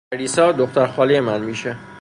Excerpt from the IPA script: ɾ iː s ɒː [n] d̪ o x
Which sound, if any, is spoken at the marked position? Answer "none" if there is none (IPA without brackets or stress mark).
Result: none